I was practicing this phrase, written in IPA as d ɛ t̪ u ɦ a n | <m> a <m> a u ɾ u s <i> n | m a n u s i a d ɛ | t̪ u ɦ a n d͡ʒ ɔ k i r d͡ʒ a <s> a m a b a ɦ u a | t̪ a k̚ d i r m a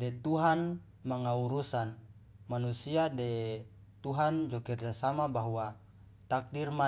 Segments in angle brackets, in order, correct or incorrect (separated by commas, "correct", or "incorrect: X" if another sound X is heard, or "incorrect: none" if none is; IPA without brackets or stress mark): correct, incorrect: ŋ, incorrect: a, correct